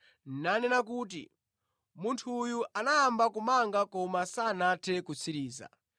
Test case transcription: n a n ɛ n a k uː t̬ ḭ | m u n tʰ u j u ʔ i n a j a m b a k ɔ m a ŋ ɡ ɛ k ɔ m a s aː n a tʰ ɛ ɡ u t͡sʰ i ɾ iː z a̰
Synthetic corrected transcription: n a n ɛ n a k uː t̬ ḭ | m u n tʰ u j u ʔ a n a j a m b a k u m a ŋ ɡ a k ɔ m a s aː n a tʰ ɛ k u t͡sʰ i ɾ iː z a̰

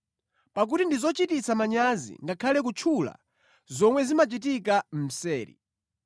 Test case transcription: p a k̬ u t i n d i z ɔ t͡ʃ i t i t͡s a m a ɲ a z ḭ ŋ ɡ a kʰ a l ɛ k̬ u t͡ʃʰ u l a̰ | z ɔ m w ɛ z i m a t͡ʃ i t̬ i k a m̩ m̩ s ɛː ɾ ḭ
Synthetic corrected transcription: p a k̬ u t i n d i z ɔ t͡ʃ i t i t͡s a m a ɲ a z ḭ ŋ ɡ a kʰ a l ɛ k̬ u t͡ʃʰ u l a̰ | z ɔ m w ɛ z i m a t͡ʃ i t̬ i k a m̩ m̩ s ɛː ɾ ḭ

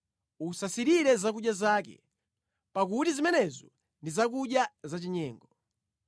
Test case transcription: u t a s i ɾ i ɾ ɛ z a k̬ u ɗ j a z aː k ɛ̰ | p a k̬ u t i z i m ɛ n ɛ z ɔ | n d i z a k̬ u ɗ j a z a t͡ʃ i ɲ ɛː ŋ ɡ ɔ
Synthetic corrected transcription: u s a s i ɾ i ɾ ɛ z a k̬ u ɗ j a z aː k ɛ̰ | p a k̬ u t i z i m ɛ n ɛ z ɔ | n d i z a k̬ u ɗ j a z a t͡ʃ i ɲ ɛː ŋ ɡ ɔ

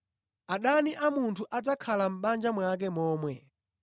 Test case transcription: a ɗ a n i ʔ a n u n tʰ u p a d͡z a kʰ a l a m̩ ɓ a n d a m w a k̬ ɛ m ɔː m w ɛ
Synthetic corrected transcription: a ɗ a n i ʔ a m u n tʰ u ʔ a d͡z a kʰ a l a m̩ ɓ a n d͡ʒ a m w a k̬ ɛ m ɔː m w ɛ

